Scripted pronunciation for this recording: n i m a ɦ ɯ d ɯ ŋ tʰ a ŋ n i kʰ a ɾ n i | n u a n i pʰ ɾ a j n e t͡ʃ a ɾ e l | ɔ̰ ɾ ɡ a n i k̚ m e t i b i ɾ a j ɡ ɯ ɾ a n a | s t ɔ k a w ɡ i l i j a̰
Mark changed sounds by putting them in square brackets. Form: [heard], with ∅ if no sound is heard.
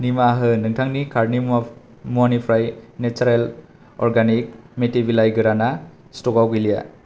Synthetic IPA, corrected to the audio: n i m a ɦ ɯ [n] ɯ ŋ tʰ a ŋ n i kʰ a ɾ n i | [m] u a n i pʰ ɾ a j n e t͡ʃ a ɾ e l | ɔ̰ ɾ ɡ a n i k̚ m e t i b i [l] a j ɡ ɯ ɾ a n a | s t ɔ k a w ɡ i l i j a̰